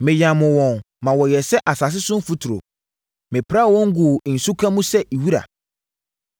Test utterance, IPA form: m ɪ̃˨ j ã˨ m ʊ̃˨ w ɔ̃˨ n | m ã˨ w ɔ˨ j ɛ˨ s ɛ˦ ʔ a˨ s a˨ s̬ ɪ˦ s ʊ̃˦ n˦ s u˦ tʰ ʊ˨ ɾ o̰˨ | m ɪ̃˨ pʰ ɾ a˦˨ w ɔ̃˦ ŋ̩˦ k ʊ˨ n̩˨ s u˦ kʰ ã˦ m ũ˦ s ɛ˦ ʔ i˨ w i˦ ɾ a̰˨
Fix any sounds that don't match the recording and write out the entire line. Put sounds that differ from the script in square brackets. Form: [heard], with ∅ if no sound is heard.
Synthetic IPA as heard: m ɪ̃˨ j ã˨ m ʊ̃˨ w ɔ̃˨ n | m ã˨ w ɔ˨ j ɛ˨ s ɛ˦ ʔ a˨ s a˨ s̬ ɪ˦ s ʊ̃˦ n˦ [f] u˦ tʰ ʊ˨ ɾ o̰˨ | m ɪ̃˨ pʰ ɾ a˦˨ w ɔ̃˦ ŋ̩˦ [ɡ] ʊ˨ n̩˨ s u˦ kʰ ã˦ m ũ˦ s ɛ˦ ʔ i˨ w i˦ ɾ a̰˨